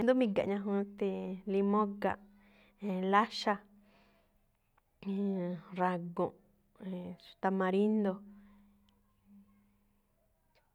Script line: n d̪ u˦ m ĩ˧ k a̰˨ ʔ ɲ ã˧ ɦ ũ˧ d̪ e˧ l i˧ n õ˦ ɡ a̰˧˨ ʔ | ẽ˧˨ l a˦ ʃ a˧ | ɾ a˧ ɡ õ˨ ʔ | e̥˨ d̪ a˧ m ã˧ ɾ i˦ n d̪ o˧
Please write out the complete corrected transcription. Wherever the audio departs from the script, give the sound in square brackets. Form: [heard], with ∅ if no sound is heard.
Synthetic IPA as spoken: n d̪ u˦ m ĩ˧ [ɡ] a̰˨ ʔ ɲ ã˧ ɦ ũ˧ [t̪] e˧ l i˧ [m] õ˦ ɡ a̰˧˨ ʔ | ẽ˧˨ l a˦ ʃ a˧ | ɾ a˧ ɡ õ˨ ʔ | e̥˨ [t̪] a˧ m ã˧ ɾ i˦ n d̪ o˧